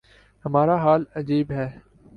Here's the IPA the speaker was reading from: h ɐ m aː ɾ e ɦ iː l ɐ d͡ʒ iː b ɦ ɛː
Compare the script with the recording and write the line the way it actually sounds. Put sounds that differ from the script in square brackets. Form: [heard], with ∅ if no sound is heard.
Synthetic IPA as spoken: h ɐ m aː ɾ [a] ɦ [aː] l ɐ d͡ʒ iː b ɦ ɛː